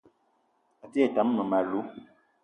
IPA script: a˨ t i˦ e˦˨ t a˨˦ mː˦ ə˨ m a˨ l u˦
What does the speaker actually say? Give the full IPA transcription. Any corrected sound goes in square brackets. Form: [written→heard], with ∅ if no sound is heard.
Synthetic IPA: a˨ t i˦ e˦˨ t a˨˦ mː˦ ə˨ m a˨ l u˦